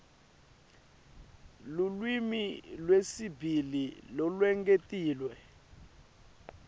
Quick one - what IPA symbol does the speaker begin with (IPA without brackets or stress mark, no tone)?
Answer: l